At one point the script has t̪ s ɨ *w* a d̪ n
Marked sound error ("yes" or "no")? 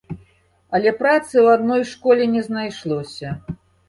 no